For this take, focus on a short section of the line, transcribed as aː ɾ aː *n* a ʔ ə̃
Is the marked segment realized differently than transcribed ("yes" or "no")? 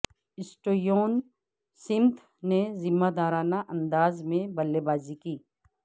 no